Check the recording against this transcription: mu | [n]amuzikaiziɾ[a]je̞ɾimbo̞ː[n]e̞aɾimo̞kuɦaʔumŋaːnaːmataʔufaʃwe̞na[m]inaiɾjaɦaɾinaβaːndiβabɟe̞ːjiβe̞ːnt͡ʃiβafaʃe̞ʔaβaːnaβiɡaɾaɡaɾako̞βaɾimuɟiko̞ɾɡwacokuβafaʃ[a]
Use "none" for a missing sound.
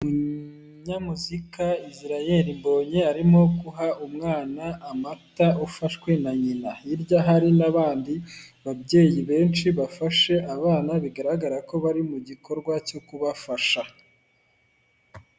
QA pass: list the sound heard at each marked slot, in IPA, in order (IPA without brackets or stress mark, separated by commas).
ɲ, a, ɲ, ɲ, a